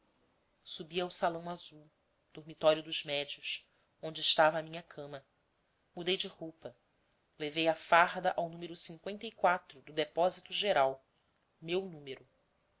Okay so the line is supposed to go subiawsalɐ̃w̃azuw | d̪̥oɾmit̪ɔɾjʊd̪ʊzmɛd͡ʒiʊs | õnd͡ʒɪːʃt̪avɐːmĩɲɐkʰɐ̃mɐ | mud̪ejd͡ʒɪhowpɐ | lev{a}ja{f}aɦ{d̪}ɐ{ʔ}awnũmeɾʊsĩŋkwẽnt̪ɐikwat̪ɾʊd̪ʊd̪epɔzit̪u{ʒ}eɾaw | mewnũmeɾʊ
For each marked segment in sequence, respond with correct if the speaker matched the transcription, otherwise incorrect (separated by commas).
incorrect, correct, correct, correct, correct